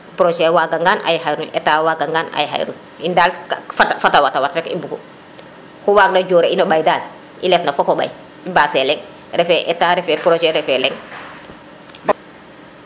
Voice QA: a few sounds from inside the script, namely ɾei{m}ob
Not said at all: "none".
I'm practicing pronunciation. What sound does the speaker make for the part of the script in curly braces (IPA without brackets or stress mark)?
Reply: n